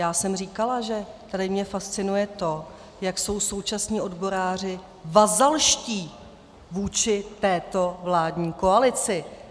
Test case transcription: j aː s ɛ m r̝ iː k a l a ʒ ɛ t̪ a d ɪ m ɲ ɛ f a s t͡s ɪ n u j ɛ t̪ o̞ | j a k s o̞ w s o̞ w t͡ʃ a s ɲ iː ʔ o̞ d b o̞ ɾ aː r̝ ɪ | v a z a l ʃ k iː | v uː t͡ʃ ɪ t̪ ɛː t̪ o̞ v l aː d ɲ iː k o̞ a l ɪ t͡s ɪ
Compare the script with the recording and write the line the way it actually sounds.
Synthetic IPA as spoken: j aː s ɛ m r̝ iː k a l a ʒ ɛ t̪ a d ɪ m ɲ ɛ f a s t͡s ɪ n u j ɛ t̪ o̞ | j a k s o̞ w s o̞ w t͡ʃ a s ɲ iː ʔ o̞ d b o̞ ɾ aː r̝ ɪ | v a z a l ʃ c iː | v uː t͡ʃ ɪ t̪ ɛː t̪ o̞ v l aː d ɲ iː k o̞ a l ɪ t͡s ɪ